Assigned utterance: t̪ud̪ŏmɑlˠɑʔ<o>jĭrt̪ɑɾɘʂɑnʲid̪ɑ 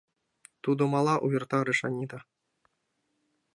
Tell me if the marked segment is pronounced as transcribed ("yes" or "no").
no